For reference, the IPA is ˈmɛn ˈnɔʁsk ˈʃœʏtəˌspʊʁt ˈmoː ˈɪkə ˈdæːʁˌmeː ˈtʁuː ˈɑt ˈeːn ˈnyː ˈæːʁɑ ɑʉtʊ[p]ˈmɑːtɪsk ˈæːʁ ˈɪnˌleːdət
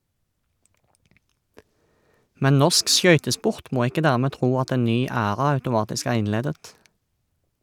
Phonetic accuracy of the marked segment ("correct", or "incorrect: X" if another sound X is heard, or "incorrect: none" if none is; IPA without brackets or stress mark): incorrect: none